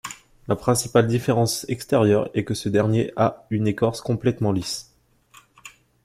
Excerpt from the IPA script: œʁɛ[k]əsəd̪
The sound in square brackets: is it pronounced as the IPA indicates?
yes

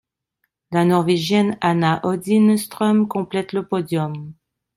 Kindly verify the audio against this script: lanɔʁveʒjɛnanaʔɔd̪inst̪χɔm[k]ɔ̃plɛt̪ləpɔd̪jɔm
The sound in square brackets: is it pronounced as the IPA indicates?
yes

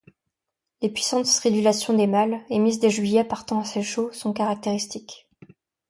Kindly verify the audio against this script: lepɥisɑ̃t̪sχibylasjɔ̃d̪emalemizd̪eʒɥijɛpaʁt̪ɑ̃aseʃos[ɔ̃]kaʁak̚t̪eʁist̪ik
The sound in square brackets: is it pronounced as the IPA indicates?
yes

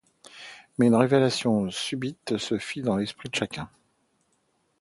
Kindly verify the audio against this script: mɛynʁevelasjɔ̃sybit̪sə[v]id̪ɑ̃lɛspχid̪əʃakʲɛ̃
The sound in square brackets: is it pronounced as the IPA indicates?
no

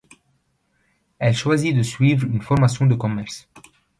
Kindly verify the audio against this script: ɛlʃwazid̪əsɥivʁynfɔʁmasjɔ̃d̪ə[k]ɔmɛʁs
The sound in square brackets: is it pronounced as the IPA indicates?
yes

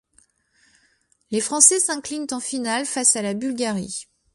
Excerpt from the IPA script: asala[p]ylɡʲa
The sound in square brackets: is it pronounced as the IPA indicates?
no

